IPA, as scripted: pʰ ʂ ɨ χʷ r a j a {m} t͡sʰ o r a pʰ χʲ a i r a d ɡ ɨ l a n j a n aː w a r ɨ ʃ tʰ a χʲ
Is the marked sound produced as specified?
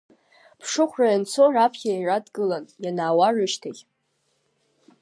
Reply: no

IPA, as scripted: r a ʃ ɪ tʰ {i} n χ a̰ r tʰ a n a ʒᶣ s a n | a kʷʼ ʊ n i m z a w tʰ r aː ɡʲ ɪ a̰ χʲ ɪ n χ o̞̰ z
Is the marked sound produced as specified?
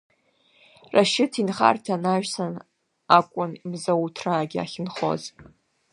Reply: yes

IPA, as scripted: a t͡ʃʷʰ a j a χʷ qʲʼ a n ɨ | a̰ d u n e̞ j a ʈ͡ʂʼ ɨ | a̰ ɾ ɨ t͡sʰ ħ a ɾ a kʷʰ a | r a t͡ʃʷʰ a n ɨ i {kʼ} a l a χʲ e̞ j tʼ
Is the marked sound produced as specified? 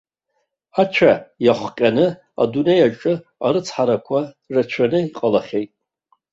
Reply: no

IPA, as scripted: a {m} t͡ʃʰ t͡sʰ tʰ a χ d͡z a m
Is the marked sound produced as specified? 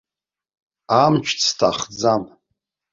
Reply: yes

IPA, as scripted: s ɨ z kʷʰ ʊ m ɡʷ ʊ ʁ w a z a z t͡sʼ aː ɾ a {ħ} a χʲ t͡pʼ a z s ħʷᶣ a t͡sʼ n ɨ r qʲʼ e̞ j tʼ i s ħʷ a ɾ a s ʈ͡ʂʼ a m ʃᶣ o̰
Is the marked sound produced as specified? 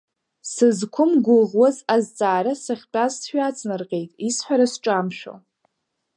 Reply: no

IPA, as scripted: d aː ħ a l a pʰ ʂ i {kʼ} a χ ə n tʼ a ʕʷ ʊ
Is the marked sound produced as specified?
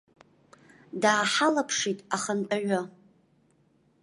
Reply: no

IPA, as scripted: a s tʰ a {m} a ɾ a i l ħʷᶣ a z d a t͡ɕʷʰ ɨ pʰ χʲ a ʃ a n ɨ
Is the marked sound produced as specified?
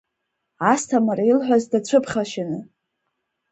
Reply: yes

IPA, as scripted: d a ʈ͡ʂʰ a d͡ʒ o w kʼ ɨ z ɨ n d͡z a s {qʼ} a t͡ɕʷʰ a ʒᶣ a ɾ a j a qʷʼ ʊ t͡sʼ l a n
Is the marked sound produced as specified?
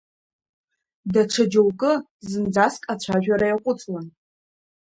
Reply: no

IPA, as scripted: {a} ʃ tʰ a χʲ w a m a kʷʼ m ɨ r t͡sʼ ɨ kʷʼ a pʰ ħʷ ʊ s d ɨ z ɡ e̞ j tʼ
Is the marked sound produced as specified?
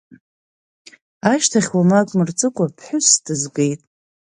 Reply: yes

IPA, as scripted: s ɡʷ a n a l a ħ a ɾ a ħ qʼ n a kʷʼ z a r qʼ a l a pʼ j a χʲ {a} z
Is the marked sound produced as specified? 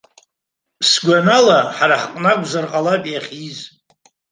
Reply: no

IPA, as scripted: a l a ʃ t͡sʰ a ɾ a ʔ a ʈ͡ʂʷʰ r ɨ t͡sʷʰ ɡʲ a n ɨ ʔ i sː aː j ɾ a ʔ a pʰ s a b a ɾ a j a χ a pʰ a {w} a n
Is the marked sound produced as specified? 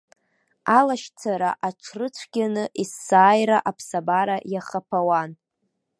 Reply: yes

